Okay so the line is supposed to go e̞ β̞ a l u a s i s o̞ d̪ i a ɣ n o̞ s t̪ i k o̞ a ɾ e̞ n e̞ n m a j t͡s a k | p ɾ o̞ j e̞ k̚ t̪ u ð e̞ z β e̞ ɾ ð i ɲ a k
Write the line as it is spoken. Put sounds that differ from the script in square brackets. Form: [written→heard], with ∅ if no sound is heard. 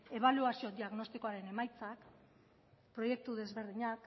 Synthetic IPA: e̞ β̞ a l u a s i [s→∅] o̞ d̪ i a ɣ n o̞ s t̪ i k o̞ a ɾ e̞ n e̞ [n→∅] m a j t͡s a k | p ɾ o̞ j e̞ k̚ t̪ u ð e̞ z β e̞ ɾ ð i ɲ a k